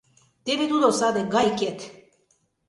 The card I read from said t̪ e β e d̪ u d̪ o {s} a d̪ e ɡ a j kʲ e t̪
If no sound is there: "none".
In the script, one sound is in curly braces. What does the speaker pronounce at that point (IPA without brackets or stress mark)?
s